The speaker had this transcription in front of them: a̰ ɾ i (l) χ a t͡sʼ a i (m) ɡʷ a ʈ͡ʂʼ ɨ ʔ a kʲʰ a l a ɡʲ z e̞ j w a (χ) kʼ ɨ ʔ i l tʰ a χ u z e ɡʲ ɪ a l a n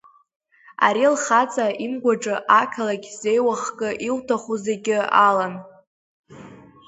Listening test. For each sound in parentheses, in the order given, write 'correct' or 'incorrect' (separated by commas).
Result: correct, correct, correct